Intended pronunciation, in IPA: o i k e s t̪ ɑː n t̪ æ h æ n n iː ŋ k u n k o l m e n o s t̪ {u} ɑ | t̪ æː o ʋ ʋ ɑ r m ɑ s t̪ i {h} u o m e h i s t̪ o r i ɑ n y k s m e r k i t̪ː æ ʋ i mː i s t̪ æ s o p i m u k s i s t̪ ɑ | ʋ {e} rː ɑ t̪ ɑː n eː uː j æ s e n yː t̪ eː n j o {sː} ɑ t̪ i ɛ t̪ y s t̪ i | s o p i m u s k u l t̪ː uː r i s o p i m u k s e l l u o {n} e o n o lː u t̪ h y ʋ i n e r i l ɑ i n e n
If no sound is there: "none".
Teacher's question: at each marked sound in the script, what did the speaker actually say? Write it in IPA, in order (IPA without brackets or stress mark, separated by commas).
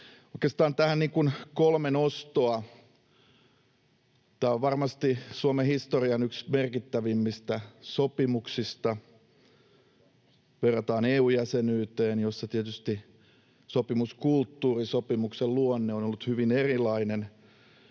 o, s, e, sː, nː